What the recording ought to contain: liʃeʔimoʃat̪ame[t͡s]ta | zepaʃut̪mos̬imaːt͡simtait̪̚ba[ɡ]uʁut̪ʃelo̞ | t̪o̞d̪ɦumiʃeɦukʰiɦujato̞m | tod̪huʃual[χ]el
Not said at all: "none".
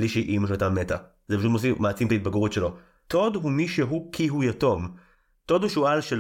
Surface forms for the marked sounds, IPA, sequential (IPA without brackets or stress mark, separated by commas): none, ɡ, ʃ